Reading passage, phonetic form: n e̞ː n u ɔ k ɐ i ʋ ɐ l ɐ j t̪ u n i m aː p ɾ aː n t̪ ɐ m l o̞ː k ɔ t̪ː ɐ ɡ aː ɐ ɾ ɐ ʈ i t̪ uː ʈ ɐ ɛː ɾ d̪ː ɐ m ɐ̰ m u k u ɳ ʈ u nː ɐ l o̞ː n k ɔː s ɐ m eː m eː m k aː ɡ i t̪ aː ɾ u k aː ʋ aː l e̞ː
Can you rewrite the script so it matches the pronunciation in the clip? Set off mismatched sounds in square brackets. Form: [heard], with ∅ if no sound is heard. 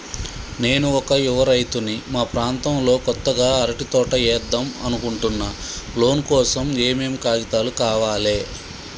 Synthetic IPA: n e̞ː n u ɔ k ɐ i ʋ ɐ [ɾ] ɐ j t̪ u n i m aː p ɾ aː n t̪ ɐ m l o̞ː k ɔ t̪ː ɐ ɡ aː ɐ ɾ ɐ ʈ i t̪ [ɔː] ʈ ɐ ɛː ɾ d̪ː ɐ m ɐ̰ [n] u k u ɳ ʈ u nː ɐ l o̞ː n k ɔː s ɐ m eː m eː m k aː ɡ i t̪ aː [l] u k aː ʋ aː l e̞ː